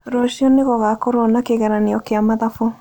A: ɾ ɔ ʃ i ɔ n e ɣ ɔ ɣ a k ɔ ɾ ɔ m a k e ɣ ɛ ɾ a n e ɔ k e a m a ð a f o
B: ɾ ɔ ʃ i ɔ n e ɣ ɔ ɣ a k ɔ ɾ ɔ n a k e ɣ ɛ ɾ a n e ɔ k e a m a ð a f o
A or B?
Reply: B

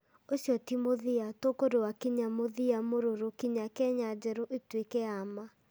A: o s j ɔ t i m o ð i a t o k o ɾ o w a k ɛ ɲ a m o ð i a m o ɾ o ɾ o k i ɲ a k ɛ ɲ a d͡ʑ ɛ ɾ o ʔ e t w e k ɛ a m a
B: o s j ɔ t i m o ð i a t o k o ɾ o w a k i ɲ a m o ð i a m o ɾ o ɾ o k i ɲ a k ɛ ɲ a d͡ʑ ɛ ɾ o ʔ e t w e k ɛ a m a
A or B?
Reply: B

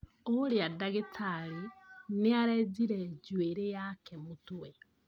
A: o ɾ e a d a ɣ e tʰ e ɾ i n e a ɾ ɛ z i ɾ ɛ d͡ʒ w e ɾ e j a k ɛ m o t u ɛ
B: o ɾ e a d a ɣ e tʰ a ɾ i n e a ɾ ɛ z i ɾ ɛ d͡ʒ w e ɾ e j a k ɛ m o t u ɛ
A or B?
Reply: B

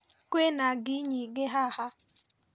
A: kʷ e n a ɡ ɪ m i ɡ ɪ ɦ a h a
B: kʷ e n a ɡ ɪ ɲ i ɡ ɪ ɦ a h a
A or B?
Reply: B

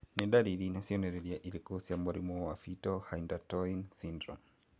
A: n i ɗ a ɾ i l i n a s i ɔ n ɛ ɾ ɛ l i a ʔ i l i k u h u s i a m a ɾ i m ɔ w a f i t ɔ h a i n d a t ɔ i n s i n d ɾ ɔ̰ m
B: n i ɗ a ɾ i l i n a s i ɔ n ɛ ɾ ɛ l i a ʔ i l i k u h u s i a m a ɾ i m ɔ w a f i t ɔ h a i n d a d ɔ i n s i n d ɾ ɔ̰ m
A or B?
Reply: A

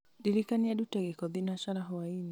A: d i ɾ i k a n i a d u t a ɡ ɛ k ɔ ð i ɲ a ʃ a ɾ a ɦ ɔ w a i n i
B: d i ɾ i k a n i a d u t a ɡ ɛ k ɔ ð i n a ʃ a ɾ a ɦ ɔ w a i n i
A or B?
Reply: B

